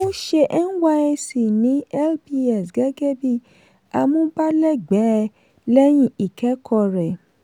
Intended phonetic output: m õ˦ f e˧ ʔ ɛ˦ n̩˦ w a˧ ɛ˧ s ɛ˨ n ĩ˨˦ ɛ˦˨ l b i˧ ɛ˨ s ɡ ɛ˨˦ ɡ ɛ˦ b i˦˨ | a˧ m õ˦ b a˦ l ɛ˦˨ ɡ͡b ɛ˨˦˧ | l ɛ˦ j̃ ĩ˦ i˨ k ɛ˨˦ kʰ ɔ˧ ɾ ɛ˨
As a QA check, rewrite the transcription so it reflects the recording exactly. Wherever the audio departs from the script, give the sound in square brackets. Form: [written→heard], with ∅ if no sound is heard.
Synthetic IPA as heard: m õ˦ [f→ʃ] e˧ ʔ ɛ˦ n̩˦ w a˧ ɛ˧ s [ɛ˨→i˨] n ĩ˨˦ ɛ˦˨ l b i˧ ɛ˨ s ɡ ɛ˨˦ ɡ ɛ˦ b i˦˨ | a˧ m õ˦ b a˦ l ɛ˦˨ ɡ͡b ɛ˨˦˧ | l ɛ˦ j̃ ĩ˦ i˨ k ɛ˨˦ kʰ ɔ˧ ɾ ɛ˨